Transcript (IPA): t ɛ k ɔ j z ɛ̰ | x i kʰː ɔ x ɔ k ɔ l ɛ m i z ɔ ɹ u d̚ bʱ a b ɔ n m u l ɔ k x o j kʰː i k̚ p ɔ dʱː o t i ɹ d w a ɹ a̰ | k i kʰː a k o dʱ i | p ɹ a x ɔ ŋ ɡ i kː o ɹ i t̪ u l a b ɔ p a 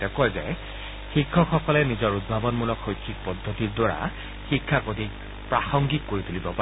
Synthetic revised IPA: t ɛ k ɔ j z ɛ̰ | x i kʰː ɔ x ɔ k ɔ l ɛ n i z ɔ ɹ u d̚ bʱ a b ɔ n m u l ɔ k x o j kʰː i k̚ p ɔ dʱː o t i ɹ d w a ɹ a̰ | x i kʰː a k o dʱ i | p ɹ a x ɔ ŋ ɡ i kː o ɹ i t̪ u l i b ɔ p a